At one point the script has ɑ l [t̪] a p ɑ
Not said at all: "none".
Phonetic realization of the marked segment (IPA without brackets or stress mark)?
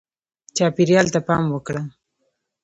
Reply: t̪